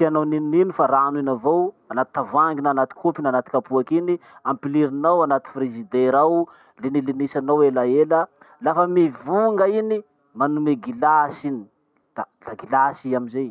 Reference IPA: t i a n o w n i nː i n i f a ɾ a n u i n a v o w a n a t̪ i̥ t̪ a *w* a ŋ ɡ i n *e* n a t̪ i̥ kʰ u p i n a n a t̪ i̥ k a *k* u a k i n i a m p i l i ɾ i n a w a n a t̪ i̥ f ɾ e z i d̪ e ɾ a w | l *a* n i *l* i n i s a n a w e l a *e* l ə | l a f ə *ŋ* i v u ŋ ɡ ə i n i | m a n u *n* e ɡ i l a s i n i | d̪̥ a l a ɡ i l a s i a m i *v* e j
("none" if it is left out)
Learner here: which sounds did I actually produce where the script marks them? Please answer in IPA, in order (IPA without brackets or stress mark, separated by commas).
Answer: v, a, p, e, l, e, m, m, z